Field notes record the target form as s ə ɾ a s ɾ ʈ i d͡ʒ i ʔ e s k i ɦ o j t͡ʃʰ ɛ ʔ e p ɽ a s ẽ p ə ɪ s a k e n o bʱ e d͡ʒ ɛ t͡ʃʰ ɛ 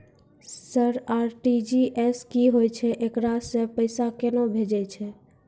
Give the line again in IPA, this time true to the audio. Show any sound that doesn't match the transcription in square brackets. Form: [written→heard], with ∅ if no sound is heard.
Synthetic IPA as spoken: s ə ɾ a [s→∅] ɾ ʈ i d͡ʒ i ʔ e s k i ɦ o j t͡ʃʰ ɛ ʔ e [p→k] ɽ a s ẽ p ə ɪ s a k e n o bʱ e d͡ʒ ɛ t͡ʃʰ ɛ